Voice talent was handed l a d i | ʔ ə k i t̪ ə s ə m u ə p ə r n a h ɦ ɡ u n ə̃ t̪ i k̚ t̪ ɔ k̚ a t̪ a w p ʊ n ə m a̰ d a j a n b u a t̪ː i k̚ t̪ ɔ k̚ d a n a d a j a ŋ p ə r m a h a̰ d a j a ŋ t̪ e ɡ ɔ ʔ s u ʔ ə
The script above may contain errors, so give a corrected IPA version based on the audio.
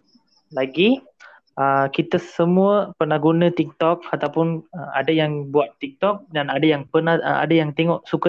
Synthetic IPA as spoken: l a ɡ i | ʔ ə k i t̪ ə s ə m u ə p ə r n a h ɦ ɡ u n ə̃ t̪ i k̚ t̪ ɔ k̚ a t̪ a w p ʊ n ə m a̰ d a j a ŋ b u a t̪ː i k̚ t̪ ɔ k̚ d a n a d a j a ŋ p ə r n a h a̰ d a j a ŋ t̪ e ŋ ɔ ʔ s u k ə